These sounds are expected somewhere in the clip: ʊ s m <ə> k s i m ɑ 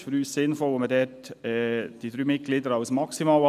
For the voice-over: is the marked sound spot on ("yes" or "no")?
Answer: no